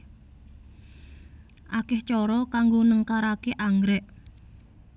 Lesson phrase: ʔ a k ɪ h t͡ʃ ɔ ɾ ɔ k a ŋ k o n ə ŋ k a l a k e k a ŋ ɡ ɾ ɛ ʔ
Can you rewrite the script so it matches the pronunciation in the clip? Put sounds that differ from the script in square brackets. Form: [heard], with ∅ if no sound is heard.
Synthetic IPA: ʔ a k ɪ h t͡ʃ ɔ ɾ ɔ k a ŋ [ɡ] o n ə ŋ k a [ɾ] a k e [ʔ] a ŋ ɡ ɾ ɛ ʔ